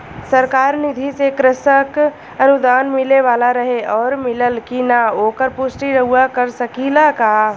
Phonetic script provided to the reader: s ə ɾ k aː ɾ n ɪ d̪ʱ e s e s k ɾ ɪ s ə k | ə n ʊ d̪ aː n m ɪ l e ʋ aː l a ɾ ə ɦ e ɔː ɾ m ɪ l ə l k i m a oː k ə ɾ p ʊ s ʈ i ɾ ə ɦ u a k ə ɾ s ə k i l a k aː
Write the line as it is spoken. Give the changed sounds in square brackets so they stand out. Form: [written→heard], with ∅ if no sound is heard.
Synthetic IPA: s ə ɾ k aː ɾ n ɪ d̪ʱ [e→i] s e [s→∅] k ɾ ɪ s ə k | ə n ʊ d̪ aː n m ɪ l e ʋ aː l a ɾ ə ɦ e ɔː ɾ m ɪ l ə l k i [m→n] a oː k ə ɾ p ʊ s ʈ i ɾ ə ɦ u a k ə ɾ s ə k i l a k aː